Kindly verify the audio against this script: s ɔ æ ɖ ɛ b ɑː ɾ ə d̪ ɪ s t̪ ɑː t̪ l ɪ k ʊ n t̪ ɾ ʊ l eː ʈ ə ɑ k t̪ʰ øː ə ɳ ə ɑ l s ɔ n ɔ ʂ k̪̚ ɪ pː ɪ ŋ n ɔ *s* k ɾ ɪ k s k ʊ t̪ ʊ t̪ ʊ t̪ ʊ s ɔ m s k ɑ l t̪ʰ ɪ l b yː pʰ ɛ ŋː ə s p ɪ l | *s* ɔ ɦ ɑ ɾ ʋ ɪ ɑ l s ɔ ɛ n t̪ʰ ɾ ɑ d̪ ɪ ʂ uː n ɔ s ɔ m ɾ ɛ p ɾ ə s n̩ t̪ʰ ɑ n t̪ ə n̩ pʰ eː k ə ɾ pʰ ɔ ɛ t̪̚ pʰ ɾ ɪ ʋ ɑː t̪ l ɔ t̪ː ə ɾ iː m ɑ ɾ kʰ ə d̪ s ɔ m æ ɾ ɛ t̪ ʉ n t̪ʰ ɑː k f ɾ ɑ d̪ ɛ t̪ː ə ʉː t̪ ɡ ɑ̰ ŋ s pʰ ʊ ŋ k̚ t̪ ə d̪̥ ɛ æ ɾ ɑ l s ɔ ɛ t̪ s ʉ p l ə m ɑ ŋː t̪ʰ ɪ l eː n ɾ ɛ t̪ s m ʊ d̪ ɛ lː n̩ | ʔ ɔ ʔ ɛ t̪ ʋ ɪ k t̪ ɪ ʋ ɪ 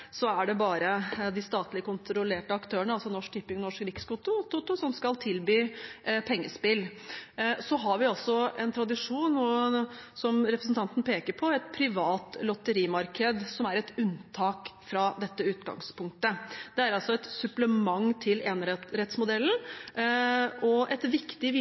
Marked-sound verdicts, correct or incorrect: incorrect, correct

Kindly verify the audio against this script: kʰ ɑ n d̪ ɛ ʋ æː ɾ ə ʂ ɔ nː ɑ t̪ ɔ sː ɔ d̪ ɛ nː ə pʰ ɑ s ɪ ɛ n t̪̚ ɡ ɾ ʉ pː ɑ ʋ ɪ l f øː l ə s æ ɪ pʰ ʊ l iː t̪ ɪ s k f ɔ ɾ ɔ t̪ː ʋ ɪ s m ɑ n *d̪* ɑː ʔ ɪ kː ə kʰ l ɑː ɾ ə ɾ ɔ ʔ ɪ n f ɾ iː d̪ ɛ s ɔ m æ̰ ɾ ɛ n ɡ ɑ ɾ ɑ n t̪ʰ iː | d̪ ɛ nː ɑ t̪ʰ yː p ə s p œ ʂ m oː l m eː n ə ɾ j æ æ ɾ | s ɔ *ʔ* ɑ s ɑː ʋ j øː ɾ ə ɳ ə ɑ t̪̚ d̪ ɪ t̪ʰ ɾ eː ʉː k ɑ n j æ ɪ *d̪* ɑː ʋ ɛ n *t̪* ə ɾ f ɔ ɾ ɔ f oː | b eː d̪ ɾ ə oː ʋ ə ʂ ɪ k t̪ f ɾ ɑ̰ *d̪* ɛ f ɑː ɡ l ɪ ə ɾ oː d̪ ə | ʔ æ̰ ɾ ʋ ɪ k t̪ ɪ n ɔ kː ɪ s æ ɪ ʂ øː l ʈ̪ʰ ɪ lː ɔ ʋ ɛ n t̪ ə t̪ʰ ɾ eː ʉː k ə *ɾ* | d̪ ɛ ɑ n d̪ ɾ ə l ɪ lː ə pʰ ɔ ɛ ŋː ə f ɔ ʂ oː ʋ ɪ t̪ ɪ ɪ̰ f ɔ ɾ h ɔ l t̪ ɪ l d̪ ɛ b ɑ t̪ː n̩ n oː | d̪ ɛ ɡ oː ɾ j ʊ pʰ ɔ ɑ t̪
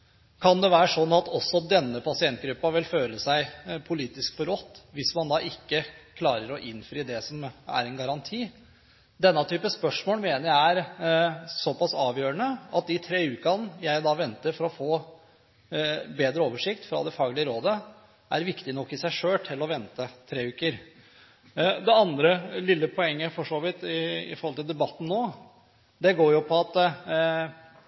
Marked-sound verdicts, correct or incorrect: correct, incorrect, correct, correct, correct, correct

